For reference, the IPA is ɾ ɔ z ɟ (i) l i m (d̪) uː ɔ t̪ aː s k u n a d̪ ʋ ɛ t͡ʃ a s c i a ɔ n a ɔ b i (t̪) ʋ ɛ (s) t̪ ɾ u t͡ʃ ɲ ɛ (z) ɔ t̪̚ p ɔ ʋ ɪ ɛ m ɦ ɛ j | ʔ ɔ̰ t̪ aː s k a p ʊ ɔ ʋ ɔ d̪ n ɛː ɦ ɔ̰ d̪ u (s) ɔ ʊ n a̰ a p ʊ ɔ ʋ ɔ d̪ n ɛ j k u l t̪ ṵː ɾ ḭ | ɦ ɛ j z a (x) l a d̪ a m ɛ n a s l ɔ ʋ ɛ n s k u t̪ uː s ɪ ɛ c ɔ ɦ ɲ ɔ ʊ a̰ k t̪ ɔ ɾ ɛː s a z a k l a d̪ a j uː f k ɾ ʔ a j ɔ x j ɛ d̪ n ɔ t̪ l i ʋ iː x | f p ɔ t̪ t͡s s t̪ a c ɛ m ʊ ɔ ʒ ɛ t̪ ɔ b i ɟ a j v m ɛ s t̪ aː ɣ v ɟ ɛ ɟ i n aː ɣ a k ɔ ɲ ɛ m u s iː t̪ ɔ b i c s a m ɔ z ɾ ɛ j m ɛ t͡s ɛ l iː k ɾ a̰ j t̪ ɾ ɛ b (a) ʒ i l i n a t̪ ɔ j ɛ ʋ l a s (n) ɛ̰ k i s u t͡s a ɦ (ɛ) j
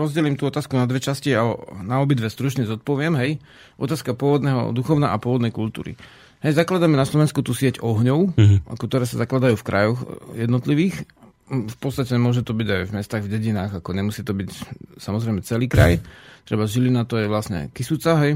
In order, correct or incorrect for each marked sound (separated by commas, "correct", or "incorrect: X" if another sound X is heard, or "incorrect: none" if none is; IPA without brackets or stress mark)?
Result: incorrect: ɛ, incorrect: t̪, incorrect: d̪, correct, correct, incorrect: x, incorrect: k, correct, incorrect: ɲ, correct